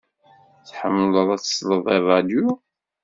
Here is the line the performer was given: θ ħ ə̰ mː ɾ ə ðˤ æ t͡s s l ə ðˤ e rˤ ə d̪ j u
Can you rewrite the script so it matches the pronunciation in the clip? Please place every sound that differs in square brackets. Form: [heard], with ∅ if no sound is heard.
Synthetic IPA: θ ħ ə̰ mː [l] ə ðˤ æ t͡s s l ə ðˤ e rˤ [ɑ] d̪ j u